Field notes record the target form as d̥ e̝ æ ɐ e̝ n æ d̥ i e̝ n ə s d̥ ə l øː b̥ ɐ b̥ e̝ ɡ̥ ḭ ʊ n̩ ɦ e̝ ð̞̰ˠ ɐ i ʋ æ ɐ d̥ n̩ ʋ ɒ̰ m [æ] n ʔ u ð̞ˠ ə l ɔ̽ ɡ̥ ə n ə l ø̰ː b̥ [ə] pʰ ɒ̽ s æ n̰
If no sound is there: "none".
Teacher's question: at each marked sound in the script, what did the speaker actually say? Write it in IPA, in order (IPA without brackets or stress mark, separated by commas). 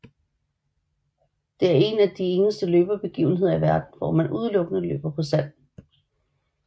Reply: æ, ɐ